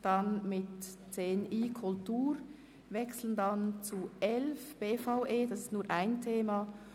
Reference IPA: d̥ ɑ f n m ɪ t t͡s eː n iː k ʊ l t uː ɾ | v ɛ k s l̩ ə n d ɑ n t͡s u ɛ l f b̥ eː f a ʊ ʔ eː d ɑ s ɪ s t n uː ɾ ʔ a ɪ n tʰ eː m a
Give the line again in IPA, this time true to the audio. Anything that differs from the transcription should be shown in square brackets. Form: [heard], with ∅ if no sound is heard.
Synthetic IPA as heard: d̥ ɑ [∅] n m ɪ t t͡s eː n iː [kʰ] ʊ l t uː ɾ | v ɛ k s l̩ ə n d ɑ n t͡s u ɛ l f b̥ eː f a ʊ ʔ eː d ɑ s ɪ s t n uː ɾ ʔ a ɪ n tʰ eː m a